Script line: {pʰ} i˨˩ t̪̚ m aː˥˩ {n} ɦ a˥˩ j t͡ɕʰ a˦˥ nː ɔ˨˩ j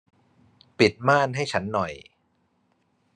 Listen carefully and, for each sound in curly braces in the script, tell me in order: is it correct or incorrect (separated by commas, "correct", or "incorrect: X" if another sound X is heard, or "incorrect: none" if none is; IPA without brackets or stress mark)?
incorrect: p, correct